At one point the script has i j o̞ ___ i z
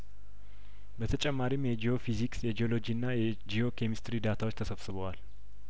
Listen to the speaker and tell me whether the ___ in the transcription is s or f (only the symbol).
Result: f